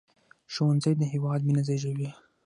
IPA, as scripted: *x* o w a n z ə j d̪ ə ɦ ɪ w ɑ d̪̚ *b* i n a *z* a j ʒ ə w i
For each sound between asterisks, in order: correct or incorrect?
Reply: incorrect, incorrect, correct

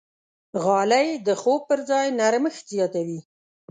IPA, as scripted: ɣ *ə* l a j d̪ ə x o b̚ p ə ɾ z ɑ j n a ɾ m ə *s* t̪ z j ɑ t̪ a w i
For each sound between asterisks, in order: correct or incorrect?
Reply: incorrect, incorrect

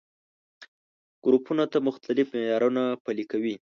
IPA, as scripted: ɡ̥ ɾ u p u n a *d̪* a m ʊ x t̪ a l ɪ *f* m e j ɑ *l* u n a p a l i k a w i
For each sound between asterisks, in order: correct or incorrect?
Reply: incorrect, correct, incorrect

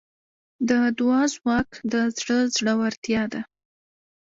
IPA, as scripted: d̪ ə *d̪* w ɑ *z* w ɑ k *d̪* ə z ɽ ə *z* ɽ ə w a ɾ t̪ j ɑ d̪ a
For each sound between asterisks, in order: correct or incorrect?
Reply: correct, correct, correct, correct

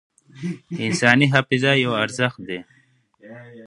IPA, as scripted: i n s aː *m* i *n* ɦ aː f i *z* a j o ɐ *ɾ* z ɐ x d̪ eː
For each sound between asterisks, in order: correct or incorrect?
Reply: incorrect, incorrect, correct, correct

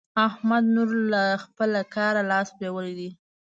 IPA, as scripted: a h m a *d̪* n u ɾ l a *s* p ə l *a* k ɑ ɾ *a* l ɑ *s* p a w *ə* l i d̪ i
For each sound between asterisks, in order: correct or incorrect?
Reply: correct, incorrect, correct, correct, correct, correct

